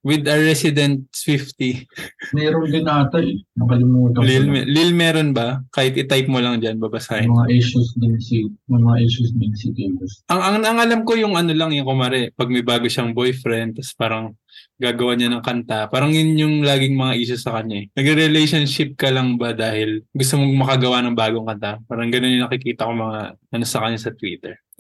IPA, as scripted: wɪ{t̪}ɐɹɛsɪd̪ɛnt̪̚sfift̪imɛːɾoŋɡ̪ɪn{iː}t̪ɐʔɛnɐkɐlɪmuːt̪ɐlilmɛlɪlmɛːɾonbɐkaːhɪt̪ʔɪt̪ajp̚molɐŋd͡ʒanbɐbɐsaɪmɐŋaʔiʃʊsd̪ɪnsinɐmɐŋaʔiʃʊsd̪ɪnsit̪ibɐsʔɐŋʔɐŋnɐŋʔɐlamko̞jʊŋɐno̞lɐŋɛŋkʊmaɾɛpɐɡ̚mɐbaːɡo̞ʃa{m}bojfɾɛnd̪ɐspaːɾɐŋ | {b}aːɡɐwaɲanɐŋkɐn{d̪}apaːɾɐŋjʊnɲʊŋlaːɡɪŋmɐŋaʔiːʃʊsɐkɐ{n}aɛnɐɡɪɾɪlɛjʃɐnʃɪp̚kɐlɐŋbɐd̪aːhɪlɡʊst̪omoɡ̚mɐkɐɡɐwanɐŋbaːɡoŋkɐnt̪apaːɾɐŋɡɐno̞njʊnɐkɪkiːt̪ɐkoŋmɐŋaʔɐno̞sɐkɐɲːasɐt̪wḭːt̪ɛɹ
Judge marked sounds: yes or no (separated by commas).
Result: no, no, no, no, no, no